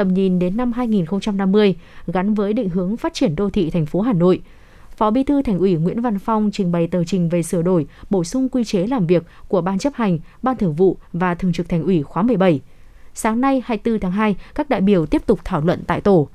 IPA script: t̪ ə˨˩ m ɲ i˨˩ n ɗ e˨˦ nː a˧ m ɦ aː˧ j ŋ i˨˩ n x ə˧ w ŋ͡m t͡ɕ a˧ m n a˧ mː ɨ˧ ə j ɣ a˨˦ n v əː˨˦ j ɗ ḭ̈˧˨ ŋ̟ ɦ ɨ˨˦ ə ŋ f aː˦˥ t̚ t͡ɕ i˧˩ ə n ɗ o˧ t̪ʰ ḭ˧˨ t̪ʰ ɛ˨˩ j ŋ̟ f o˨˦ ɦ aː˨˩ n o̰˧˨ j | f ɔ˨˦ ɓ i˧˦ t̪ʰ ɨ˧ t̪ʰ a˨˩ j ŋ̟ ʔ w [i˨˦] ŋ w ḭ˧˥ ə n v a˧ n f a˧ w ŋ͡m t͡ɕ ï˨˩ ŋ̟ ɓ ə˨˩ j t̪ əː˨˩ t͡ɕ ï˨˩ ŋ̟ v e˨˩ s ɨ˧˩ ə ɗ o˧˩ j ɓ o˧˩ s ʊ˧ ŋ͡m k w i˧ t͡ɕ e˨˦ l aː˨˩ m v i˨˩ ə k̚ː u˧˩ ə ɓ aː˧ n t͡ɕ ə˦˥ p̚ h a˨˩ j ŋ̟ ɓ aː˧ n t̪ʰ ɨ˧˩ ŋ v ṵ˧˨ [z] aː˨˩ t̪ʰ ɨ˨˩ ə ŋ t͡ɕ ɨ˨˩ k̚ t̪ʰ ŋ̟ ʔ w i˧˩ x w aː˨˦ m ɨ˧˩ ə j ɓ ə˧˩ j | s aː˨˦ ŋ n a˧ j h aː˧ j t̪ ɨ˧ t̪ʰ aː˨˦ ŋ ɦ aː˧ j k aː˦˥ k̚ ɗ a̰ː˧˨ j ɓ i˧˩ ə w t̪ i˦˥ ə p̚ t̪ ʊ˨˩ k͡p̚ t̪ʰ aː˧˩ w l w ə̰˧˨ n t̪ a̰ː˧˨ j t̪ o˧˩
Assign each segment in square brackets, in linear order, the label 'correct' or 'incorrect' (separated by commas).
incorrect, incorrect